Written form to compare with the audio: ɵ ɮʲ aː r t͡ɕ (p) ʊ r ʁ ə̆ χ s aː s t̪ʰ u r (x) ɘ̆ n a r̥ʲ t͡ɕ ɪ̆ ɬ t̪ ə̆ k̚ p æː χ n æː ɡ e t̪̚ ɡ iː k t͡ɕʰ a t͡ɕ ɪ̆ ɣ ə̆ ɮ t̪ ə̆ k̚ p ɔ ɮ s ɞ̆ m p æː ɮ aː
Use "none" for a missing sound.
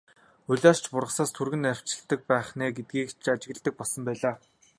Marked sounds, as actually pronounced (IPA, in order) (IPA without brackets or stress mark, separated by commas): p, ɣ